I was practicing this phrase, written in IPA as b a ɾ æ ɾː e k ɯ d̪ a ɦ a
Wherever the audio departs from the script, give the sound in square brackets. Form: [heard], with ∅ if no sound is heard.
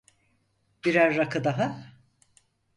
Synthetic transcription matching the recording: b [i] ɾ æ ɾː [a] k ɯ d̪ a ɦ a